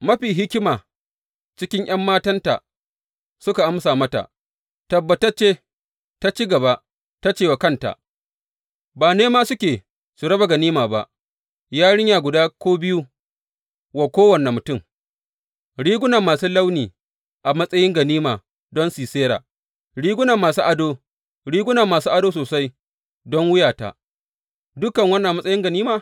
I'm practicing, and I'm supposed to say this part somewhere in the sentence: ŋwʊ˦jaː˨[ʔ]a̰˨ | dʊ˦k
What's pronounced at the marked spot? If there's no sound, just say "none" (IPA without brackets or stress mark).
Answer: t